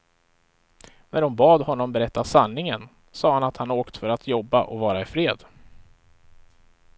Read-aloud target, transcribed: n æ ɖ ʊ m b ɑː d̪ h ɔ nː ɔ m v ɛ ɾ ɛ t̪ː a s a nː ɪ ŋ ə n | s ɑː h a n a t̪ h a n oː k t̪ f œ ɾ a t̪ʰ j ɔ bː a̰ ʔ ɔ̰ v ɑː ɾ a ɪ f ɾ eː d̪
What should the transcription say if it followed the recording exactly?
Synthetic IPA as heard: n æ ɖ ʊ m b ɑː d̪ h ɔ nː ɔ m b ɛ ɾ ɛ t̪ː a s a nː ɪ ŋ ə n | s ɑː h a n a t̪ h a n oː k t̪ f œ ɾ a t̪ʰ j ɔ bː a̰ ʔ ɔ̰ v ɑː ɾ a ɪ f ɾ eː d̪

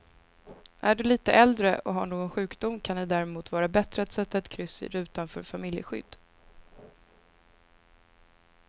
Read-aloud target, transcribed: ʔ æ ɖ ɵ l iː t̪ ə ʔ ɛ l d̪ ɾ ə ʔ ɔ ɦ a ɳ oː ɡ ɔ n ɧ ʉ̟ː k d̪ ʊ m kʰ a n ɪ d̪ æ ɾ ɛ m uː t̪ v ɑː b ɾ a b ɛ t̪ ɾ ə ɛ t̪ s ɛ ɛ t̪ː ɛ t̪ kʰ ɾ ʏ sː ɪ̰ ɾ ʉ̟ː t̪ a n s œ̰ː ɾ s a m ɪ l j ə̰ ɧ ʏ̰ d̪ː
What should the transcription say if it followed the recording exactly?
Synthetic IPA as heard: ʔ æ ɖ ɵ l iː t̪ ə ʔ ɛ l d̪ ɾ ə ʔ ɔ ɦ a ɳ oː ɡ ɔ n ɧ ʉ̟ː k d̪ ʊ m kʰ a n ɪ d̪ æ ɾ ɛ m uː t̪ v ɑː ɾ a b ɛ t̪ ɾ ə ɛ t̪ s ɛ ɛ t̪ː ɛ t̪ kʰ ɾ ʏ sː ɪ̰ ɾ ʉ̟ː t̪ a n f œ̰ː ɾ f a m ɪ l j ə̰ ɧ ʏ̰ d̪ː

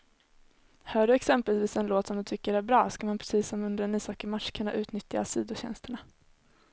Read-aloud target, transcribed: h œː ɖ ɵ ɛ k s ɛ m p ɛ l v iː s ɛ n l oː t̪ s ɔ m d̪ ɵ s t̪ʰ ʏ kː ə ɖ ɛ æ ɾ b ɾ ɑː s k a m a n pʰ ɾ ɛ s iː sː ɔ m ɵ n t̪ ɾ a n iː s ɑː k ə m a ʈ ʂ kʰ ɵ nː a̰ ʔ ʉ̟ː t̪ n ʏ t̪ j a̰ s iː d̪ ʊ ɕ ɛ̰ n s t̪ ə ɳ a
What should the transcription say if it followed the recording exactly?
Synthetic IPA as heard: h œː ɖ ɵ ɛ k s ɛ m p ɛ l v iː s ɛ n l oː t̪ s ɔ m d̪ ɵ t̪ʰ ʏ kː ə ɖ ɛ æ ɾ b ɾ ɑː s k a m a n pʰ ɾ ɛ s iː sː ɔ m ɵ n d̪ ɾ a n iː s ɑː k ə m a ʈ ʂ kʰ ɵ nː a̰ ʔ ʉ̟ː t̪ n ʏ t̪ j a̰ s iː d̪ ʊ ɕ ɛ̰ n s t̪ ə ɳ a

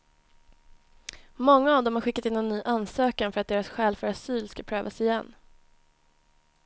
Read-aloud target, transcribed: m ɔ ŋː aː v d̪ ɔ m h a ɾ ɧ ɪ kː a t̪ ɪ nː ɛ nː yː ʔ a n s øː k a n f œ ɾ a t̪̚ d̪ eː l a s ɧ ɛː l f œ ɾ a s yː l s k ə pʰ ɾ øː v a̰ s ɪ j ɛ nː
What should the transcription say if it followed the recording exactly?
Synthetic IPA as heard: m ɔ ŋː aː v d̪ ɔ m h a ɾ ɧ ɪ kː a t̪ ɪ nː ɛ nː yː ʔ a n s øː k a n f œ ɾ a t̪̚ d̪ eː ɾ a s ɧ ɛː l f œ ɾ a s yː l s k a pʰ ɾ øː v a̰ s ɪ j ɛ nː

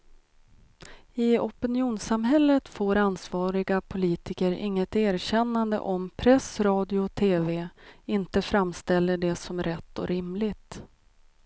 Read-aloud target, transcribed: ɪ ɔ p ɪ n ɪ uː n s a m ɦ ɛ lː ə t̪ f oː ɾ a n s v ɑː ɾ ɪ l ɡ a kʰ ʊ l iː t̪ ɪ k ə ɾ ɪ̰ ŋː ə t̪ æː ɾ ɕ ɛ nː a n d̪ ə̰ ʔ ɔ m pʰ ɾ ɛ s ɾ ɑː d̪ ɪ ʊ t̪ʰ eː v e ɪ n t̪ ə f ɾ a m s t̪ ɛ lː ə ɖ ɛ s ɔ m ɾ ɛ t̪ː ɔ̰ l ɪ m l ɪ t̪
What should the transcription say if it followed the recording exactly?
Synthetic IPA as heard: ɪ ɔ p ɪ n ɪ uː n s a m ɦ ɛ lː ə t̪ f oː ɾ a n s v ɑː ɾ ɪ ɡ a pʰ ʊ l iː t̪ ɪ k ə ɾ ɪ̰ ŋː ə t̪ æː ɾ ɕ ɛ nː a n d̪ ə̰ ʔ ɔ m pʰ ɾ ɛ s ɾ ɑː d̪ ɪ ʊ t̪ʰ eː v e ɪ n t̪ ə f ɾ a m s t̪ ɛ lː ə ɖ ɛ s ɔ m ɾ ɛ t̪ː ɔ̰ ɾ ɪ m l ɪ t̪

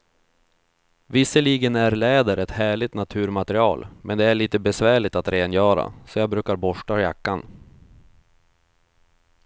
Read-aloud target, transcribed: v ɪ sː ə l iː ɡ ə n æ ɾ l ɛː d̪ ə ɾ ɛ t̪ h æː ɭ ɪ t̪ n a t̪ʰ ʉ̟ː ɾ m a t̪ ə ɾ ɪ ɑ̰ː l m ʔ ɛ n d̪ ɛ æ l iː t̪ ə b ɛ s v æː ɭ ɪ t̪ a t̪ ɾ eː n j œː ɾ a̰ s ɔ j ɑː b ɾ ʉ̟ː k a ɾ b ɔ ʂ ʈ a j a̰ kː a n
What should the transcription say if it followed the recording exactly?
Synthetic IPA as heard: v ɪ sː ə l iː ɡ ə n æ ɾ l ɛː d̪ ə ɾ ɛ t̪ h æː ɭ ɪ t̪ n a t̪ʰ ʉ̟ː ɾ m a t̪ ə ɾ ɪ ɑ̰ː l m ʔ ɛ n d̪ ɛ æ ɭ iː t̪ ə b ɛ s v æː ɭ ɪ t̪ a t̪ ɾ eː n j œː ɾ a̰ s ɔ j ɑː b ɾ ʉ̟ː k a ɾ b ɔ ʂ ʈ a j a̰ kː a n

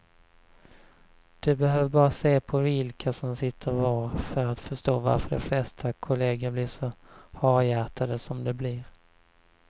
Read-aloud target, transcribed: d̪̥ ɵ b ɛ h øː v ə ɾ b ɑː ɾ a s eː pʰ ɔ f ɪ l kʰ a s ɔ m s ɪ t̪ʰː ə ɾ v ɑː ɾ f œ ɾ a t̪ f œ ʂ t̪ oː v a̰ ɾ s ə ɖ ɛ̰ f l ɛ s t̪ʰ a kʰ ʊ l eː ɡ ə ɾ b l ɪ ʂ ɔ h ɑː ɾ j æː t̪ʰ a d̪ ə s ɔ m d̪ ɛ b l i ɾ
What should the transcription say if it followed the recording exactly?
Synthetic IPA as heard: d̪̥ ɵ b ɛ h øː v ə ɾ b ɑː ɾ a s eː pʰ ɔ v ɪ l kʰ a s ɔ m s ɪ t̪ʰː ə ɾ v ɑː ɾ f œ ɾ a t̪ f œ ʂ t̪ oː v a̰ ɾ f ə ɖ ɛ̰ f l ɛ s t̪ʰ a kʰ ʊ l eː ɡ ə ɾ b l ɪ ʂ ɔ h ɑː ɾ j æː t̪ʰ a d̪ ə s ɔ m d̪ ɛ b l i ɾ

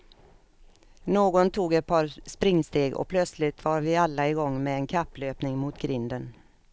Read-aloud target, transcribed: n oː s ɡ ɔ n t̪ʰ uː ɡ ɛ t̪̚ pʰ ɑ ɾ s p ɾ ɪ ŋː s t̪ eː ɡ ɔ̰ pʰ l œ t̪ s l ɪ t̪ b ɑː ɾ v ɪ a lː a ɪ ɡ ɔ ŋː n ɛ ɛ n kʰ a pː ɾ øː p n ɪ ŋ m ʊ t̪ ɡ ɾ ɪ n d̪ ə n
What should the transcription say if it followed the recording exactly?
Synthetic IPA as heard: n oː ɡ ɔ n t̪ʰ uː ɡ ɛ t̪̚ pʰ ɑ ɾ s p ɾ ɪ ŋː s t̪ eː ɡ ɔ̰ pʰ l œ t̪ s l ɪ t̪ v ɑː ɾ v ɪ a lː a ɪ ɡ ɔ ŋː m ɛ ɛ n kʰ a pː l øː p n ɪ ŋ m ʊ t̪ ɡ ɾ ɪ n d̪ ə n

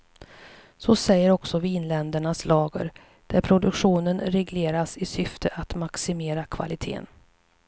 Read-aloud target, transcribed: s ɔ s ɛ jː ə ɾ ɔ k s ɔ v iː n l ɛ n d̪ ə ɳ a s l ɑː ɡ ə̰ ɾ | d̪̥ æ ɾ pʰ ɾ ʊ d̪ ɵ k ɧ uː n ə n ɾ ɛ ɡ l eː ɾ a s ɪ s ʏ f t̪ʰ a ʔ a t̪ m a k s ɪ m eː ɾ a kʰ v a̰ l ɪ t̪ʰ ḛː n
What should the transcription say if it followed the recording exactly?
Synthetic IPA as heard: s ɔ s ɛ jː ə ɾ ɔ k s ɔ v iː n l ɛ n d̪ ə ɳ a s l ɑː ɡ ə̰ ɾ | d̪̥ æ ɾ pʰ ɾ ʊ d̪ ɵ k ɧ uː n ə n ɾ ɛ ɡ l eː ɾ a s ɪ s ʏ f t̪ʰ ə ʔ a t̪ m a k s ɪ m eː ɾ a kʰ v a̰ l ɪ t̪ʰ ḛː n

